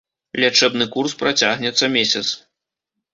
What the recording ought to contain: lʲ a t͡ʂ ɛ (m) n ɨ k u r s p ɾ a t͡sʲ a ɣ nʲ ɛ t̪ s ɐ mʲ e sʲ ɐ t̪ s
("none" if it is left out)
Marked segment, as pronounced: b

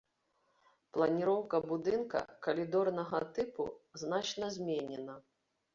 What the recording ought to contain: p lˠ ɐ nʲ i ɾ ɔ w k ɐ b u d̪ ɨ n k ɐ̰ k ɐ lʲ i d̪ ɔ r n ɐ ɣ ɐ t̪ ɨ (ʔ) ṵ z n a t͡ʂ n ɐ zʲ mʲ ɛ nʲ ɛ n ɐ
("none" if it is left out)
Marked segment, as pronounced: p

